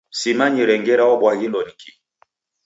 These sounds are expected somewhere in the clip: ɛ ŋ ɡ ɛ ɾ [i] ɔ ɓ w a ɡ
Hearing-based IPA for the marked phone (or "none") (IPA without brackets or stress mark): a